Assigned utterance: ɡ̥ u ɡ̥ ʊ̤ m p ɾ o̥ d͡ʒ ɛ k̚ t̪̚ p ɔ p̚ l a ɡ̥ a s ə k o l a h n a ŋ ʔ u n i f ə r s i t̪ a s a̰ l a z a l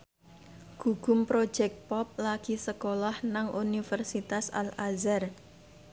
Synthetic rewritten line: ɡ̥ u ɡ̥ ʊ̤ m p ɾ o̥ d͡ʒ ɛ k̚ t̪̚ p ɔ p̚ l a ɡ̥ i s ə k o l a h n a ŋ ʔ u n i f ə r s i t̪ a s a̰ l a z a r